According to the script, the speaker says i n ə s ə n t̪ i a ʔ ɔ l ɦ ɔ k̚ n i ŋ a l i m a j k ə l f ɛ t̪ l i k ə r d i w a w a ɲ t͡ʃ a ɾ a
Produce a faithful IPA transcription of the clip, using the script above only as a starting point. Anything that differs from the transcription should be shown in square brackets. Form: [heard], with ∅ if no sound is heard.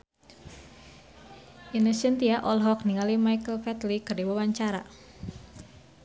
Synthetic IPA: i n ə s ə n t̪ i a ʔ ɔ l ɦ ɔ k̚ n i ŋ a l i m a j k ə l f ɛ t̪ l i k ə r d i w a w a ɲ t͡ʃ a ɾ a